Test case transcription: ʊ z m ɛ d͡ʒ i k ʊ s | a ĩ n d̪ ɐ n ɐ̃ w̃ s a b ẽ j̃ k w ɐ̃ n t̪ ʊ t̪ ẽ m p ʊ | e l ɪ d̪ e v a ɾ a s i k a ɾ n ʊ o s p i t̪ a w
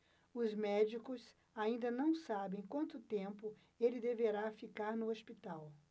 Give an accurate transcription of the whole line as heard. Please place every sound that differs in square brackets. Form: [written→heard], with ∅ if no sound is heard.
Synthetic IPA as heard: ʊ z m ɛ d͡ʒ i k ʊ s | a ĩ n d̪ ɐ n ɐ̃ w̃ s a b ẽ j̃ k w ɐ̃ n t̪ ʊ t̪ ẽ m p ʊ | e l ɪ d̪ e v [a→e] ɾ a [s→f] i k a ɾ n ʊ o s p i t̪ a w